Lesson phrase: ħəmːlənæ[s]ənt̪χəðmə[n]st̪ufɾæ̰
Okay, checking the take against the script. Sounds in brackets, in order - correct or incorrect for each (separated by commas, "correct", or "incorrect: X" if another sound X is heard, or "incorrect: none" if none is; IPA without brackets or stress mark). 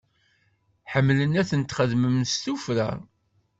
incorrect: θ, incorrect: m